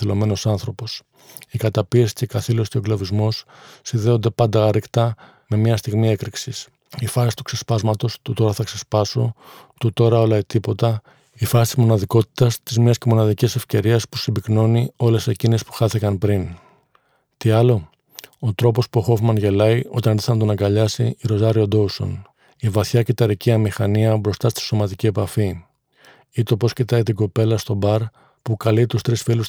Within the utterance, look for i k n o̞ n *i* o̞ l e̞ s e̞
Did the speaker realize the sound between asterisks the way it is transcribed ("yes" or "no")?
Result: yes